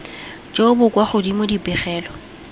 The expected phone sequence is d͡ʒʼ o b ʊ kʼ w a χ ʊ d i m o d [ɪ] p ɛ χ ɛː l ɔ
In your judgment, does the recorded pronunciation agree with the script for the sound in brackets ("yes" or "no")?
no